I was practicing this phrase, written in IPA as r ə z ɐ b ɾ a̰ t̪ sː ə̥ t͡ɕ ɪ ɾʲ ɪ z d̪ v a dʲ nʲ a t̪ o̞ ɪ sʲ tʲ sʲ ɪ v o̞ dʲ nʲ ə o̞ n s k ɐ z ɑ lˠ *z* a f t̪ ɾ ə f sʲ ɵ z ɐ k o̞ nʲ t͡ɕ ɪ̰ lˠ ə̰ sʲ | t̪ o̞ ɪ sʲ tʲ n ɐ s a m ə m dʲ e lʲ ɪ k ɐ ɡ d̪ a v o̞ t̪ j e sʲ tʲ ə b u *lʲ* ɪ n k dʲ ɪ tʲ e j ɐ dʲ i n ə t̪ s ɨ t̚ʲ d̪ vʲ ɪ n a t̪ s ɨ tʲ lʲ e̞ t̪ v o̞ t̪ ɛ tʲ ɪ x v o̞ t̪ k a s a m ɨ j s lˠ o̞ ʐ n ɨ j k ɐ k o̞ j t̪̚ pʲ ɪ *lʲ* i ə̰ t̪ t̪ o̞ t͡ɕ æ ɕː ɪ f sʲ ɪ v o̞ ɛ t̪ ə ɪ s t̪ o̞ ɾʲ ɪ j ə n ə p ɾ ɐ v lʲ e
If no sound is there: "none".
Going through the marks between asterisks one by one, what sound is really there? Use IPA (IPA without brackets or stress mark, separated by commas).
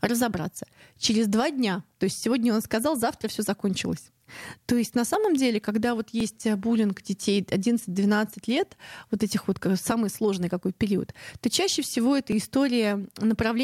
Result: z, lʲ, ɾʲ